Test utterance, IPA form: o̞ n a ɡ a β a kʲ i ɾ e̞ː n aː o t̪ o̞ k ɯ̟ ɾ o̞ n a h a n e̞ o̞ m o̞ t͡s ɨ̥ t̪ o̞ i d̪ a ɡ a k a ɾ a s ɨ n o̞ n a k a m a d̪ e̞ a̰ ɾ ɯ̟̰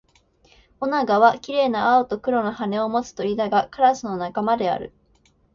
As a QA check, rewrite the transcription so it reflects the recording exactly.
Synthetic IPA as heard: o̞ n a ɡ a β a kʲ i ɾ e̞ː n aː o t̪ o̞ k ɯ̟ ɾ o̞ n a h a n e̞ o̞ m o̞ t͡s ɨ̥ t̪ o̞ i d̪ a ɡ a k a ɾ a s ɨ n o̞ n a k a m a d̪ e̞ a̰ ɾ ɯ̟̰

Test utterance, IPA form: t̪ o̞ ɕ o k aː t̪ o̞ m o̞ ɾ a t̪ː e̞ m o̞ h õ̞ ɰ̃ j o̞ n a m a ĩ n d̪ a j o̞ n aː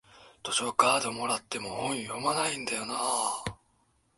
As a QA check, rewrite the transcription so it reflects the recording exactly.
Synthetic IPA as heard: t̪ o̞ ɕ o k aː d̪ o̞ m o̞ ɾ a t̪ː e̞ m o̞ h õ̞ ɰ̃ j o̞ m a n a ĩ n d̪ a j o̞ n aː

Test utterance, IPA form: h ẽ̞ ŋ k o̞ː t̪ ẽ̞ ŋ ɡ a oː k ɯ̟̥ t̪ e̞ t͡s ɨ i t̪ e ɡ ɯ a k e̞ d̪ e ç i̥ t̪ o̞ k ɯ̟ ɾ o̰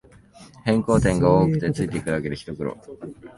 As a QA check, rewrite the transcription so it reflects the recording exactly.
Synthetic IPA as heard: h ẽ̞ ŋ k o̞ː t̪ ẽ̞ ŋ ɡ a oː k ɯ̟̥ t̪ e̞ t͡s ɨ i t̪ e k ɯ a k e̞ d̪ e ç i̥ t̪ o̞ k ɯ̟ ɾ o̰

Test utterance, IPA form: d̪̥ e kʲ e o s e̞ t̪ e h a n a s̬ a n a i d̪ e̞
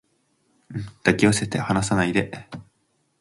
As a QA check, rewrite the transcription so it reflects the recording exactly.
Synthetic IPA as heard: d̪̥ a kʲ i o s e̞ t̪ e h a n a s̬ a n a i d̪ e̞

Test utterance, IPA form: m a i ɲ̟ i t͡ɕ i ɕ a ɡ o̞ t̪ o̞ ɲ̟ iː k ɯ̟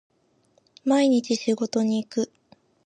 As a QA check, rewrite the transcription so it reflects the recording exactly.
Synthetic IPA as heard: m a i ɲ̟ i t͡ɕ i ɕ i ɡ o̞ t̪ o̞ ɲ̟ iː k ɯ̟

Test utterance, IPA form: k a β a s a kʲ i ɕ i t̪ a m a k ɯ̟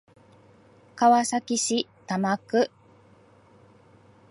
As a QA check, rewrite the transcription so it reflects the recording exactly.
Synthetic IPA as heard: k a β a s a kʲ i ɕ i t̪ a m a k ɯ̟

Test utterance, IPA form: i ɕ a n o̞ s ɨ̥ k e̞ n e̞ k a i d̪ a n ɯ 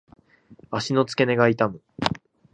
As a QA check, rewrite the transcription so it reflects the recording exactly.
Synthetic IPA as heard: a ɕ i n o̞ t͡s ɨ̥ k e̞ n e̞ ɡ a i t̪ a m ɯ

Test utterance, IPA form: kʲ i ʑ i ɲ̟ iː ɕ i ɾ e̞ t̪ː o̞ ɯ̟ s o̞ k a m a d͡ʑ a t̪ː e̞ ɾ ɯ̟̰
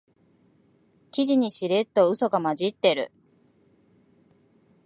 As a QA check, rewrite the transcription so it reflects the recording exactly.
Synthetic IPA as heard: kʲ i ʑ i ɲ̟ i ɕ i ɾ e̞ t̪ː o̞ ɯ̟ s o̞ ɡ a m a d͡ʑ i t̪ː e̞ ɾ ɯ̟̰

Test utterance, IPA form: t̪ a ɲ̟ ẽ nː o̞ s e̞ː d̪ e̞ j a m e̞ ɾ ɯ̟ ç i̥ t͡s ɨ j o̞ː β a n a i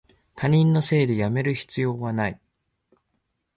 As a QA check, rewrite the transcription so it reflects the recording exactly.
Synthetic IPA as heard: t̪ a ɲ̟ ĩ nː o̞ s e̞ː d̪ e̞ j a m e̞ ɾ ɯ̟ ç i̥ t͡s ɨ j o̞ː β a n a i

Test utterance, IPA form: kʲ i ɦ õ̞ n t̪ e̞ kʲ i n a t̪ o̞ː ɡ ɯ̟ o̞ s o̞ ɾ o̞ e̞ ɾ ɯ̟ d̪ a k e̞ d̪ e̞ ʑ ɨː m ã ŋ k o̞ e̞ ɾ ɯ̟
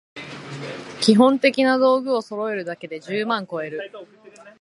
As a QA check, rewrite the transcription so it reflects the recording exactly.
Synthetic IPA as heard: kʲ i ɦ õ̞ n t̪ e̞ kʲ i n a d̪ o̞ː ɡ ɯ̟ o̞ s o̞ ɾ o̞ e̞ ɾ ɯ̟ d̪ a k e̞ d̪ e̞ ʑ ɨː m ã ŋ k o̞ e̞ ɾ ɯ̟

